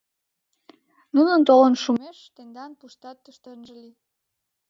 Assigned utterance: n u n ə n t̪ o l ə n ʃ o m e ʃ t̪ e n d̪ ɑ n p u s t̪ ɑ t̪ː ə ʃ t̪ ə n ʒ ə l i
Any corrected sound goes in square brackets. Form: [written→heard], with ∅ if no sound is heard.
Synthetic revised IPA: n u n ə n t̪ o l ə n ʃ [o→u] m e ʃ t̪ e n d̪ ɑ n p u [s→ʃ] t̪ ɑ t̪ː ə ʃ t̪ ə n ʒ ə l i